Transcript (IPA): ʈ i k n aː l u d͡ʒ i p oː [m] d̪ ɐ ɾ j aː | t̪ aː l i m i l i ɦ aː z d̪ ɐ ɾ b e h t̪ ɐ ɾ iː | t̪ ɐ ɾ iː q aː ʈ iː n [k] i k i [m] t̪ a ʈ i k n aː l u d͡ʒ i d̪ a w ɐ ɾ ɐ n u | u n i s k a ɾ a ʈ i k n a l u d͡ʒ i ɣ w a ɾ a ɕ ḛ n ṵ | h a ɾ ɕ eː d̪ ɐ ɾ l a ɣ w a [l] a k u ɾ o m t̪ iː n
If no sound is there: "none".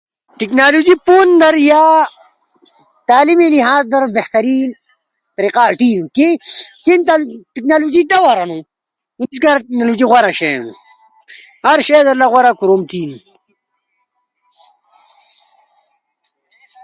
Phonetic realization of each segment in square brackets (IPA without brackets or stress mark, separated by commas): n, k, n, ɾ